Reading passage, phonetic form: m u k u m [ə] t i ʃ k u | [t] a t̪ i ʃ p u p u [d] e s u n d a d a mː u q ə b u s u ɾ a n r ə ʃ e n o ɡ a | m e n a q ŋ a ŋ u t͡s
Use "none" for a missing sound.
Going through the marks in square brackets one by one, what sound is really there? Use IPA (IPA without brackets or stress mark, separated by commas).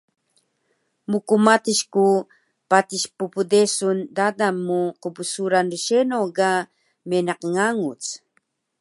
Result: a, p, d